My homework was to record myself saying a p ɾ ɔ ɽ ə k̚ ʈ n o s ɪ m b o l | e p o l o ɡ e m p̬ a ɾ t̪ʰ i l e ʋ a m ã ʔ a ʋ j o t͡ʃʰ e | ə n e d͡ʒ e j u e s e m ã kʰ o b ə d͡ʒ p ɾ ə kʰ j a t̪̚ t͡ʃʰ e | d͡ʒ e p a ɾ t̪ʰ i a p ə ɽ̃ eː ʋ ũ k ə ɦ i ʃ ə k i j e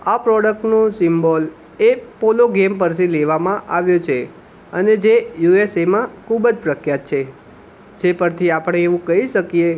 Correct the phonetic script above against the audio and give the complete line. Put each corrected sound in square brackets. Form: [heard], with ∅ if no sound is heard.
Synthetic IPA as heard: a p ɾ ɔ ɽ ə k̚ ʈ n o s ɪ m b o l | e p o l o ɡ e m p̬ [ə] ɾ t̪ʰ i l e ʋ a m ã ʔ a ʋ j o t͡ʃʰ e | ə n e d͡ʒ e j u e s e m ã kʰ [u] b ə d͡ʒ p ɾ ə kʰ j a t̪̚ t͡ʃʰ e | d͡ʒ e p [ə] ɾ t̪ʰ i a p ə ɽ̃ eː ʋ ũ k ə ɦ i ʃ ə k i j e